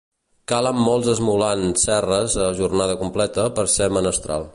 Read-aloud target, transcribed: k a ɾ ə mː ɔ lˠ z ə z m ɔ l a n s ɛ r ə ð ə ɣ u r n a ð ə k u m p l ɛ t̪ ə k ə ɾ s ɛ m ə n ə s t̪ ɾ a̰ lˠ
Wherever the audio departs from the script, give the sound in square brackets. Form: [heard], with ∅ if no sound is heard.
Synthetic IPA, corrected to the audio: k a [l] ə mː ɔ lˠ z ə z m [u] l a n s ɛ r ə [z] ə [ʒ] u r n a ð ə k u m p l ɛ t̪ ə [p] ə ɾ s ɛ m ə n ə s t̪ ɾ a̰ lˠ